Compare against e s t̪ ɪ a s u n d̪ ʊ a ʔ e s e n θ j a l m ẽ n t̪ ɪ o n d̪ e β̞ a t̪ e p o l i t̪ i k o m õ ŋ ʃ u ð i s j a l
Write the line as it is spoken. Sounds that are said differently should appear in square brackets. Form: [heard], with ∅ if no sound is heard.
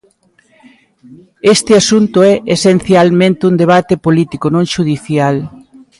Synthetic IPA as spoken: e s t̪ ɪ a s u n [t̪] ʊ [ɛ] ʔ e s e n θ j a l m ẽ n t̪ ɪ [u] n d̪ e β̞ a t̪ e p o l i t̪ i k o [n] õ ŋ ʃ u ð i [θ] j a l